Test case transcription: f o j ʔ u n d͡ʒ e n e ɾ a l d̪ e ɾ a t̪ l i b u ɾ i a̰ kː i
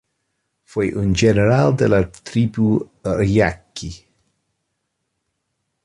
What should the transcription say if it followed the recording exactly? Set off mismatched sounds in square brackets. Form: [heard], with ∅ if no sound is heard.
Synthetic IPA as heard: f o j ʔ u n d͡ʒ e n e ɾ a l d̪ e [l] a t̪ [ɾ] i b u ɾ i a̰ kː i